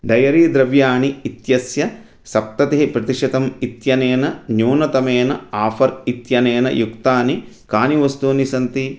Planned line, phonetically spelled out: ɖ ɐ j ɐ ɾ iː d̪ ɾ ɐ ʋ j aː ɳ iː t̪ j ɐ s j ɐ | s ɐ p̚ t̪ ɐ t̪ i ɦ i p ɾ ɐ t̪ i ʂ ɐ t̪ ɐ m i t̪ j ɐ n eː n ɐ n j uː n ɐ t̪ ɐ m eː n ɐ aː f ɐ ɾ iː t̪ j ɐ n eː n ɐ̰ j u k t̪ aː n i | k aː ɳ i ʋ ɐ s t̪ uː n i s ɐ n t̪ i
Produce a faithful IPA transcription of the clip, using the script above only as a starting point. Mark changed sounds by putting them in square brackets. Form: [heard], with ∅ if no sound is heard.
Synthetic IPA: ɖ ɐ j ɐ ɾ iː d̪ ɾ ɐ ʋ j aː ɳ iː t̪ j ɐ s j ɐ | s ɐ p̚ t̪ ɐ t̪ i ɦ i p ɾ ɐ t̪ i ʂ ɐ t̪ ɐ m i t̪ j ɐ n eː n ɐ n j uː n ɐ t̪ ɐ m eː n ɐ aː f ɐ ɾ [i] t̪ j ɐ n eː n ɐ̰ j u k t̪ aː n i | k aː [n] i ʋ ɐ s t̪ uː n i s ɐ n t̪ i